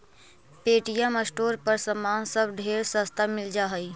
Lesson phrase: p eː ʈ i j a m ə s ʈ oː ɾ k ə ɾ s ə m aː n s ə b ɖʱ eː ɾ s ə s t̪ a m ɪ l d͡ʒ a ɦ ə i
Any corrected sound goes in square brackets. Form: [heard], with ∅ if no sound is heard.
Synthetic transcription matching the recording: p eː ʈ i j a m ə s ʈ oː ɾ [p] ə ɾ s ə m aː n s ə b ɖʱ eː ɾ s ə s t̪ a m ɪ l d͡ʒ a ɦ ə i